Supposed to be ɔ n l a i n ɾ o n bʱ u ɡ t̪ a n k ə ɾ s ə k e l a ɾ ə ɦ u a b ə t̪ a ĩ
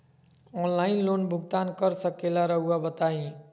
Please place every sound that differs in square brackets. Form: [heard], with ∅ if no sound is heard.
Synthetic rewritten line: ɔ n l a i n [l] o n bʱ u ɡ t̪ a n k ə ɾ s ə k e l a ɾ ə ɦ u a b ə t̪ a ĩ